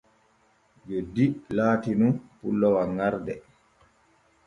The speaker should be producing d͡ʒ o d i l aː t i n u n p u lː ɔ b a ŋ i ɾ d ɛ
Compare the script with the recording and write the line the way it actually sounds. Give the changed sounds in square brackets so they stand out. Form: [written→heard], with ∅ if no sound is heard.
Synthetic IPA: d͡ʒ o d i l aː t i n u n p u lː ɔ [b→w] a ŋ [i→a] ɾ d ɛ